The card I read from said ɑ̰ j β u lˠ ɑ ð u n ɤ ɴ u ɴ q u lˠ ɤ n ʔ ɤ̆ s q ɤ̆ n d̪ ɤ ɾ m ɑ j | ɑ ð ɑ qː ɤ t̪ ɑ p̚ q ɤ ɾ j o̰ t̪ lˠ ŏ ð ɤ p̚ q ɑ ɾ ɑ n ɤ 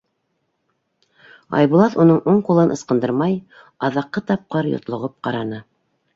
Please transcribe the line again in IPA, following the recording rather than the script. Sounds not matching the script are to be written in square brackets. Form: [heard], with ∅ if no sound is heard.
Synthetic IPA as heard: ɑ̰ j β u lˠ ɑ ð u n ɤ ɴ u ɴ q u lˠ ɤ n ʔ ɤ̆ s q ɤ̆ n d̪ ɤ ɾ m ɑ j | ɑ ð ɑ qː ɤ t̪ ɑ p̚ q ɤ ɾ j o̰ t̪ lˠ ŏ [ʁ] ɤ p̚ q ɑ ɾ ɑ n ɤ